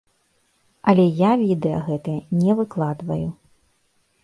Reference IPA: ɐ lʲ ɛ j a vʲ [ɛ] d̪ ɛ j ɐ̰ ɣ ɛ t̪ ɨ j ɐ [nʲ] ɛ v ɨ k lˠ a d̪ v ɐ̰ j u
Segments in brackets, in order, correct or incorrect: incorrect: i, correct

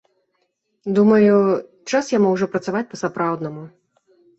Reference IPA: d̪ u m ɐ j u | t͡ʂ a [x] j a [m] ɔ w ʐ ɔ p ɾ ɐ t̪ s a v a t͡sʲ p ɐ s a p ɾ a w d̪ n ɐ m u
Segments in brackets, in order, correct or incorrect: incorrect: s, correct

